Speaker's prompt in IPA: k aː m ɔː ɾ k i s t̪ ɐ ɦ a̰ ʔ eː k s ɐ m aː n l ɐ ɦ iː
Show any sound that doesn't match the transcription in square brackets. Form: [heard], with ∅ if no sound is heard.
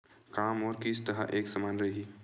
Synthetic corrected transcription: k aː m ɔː ɾ k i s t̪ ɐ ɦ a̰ ʔ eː k s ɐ m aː n [ɾ] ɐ ɦ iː